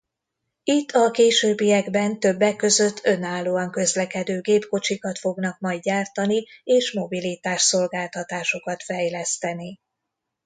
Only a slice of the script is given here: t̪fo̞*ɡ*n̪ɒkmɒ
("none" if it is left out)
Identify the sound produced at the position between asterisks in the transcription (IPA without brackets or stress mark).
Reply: ɡ